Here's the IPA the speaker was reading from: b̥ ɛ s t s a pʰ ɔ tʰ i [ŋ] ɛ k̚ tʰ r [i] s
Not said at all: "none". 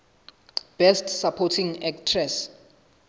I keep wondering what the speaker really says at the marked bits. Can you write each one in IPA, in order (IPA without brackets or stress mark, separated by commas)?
ŋ, ɛ